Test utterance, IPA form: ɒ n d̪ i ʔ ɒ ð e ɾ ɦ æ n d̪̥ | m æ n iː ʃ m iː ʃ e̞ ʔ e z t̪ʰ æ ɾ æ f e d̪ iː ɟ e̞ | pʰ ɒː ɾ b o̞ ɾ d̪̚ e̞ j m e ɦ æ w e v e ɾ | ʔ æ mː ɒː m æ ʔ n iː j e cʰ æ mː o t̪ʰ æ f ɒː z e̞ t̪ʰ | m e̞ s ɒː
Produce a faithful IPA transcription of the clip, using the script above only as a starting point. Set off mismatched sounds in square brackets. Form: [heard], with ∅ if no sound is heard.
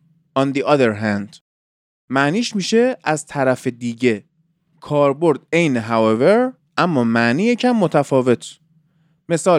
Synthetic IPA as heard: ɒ n d̪ i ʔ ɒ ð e ɾ ɦ æ n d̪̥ | m æ n iː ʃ m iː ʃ e̞ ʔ [æ] z t̪ʰ æ ɾ æ f e d̪ iː ɟ e̞ | [kʰ] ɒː ɾ b o̞ ɾ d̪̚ e̞ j [n] e ɦ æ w e v e ɾ | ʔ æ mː ɒː m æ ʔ n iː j e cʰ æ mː o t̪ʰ æ f ɒː [v] e̞ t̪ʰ | m e̞ s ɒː